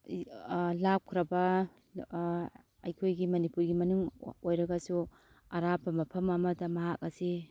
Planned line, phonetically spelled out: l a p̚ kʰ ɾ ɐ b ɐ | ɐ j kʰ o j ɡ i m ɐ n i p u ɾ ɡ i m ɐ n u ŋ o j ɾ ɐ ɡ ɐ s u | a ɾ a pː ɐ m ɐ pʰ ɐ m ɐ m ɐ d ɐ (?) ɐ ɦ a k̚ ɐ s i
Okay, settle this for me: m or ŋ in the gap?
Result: m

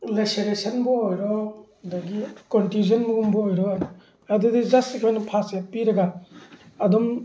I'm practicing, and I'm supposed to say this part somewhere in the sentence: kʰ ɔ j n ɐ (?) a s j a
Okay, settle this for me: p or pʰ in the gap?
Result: pʰ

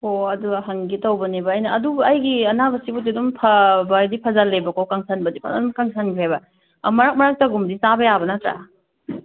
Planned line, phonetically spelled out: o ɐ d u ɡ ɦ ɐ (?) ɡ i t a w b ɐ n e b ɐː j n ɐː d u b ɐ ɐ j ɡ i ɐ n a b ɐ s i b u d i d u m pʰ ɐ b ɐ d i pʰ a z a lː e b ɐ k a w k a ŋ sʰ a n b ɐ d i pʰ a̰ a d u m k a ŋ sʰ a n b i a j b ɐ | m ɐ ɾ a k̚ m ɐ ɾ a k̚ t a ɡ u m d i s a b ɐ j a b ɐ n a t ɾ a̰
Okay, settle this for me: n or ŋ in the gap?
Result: ŋ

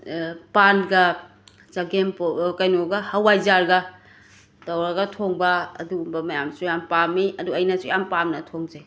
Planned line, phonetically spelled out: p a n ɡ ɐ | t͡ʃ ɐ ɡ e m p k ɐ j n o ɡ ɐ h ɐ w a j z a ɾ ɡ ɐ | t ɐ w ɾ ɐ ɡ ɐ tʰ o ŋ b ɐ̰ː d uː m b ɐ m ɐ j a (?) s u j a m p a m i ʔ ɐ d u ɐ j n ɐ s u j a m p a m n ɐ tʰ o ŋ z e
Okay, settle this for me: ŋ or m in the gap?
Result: m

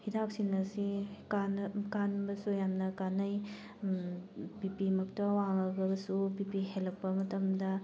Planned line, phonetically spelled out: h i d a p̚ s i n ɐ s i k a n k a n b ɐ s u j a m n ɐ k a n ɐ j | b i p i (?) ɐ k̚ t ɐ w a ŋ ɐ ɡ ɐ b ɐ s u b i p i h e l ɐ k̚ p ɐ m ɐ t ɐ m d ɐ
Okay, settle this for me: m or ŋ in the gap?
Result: m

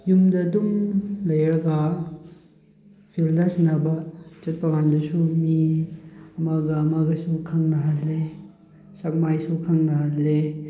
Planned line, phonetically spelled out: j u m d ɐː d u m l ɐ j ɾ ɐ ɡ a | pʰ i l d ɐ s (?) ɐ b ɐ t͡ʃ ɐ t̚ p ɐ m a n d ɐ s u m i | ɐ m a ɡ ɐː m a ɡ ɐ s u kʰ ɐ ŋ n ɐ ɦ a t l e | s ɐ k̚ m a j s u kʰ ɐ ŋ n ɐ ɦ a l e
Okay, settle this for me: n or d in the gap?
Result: n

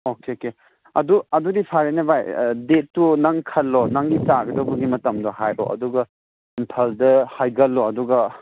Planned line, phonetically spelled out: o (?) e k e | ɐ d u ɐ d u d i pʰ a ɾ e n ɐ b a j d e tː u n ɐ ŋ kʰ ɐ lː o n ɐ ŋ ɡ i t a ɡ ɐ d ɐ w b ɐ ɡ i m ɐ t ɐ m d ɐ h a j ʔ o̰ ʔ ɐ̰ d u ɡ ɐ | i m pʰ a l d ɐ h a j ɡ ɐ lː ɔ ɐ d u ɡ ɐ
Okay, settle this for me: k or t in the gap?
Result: k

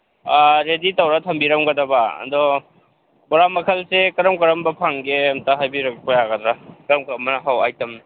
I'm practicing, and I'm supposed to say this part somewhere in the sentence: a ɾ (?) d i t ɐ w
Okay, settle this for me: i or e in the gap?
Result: e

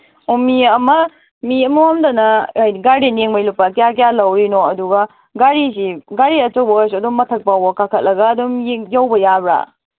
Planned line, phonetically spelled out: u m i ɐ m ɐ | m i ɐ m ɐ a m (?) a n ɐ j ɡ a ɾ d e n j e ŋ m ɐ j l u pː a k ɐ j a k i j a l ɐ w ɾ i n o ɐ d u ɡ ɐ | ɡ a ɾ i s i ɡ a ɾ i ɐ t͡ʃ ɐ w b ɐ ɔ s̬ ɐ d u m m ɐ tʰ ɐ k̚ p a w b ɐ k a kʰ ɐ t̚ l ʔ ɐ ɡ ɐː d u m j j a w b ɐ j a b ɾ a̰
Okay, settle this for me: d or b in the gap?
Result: d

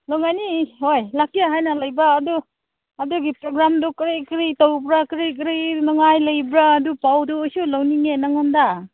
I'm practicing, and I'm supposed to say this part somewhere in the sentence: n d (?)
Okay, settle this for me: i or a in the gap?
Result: a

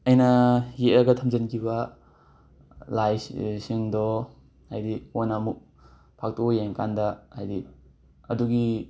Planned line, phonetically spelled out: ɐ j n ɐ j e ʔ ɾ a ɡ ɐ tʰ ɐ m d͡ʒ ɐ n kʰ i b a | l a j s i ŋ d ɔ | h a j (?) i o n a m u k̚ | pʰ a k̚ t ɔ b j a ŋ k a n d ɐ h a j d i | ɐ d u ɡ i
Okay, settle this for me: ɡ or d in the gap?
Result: d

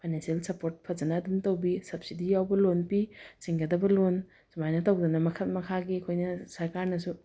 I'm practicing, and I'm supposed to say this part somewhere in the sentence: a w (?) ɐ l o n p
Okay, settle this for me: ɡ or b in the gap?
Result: b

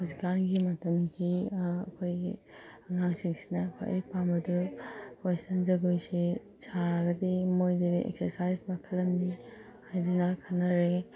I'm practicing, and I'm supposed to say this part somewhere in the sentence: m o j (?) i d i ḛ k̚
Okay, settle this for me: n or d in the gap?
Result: d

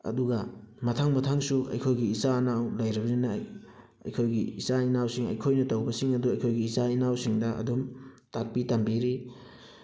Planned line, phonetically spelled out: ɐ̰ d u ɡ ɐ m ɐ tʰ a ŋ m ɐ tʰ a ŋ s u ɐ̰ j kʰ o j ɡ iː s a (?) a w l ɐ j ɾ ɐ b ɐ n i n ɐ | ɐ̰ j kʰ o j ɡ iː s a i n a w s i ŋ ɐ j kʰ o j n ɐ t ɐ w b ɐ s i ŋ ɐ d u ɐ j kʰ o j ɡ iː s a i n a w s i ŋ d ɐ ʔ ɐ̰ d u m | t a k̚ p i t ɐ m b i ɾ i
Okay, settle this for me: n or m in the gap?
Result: n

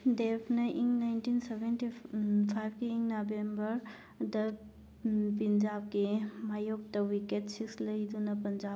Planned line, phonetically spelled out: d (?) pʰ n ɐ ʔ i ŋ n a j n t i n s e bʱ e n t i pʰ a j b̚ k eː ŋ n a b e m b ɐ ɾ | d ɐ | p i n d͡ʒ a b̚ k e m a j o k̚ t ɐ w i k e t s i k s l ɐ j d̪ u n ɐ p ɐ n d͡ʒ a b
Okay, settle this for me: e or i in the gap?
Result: e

